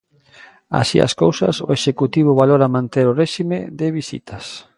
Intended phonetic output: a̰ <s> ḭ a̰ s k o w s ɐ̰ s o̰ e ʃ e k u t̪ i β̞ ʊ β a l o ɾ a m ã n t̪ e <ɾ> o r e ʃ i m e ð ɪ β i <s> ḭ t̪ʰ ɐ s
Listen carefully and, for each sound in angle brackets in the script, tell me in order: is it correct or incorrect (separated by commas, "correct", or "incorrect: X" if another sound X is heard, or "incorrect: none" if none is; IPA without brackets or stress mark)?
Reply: correct, correct, correct